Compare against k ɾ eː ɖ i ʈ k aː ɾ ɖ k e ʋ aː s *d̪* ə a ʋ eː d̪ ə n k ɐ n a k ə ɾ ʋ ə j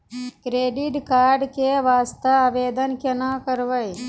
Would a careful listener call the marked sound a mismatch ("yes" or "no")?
yes